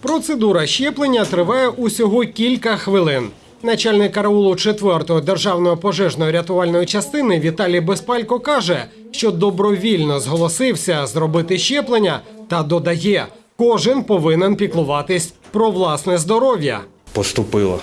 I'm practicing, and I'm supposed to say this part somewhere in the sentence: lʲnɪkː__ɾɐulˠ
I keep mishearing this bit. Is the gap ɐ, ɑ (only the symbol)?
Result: ɐ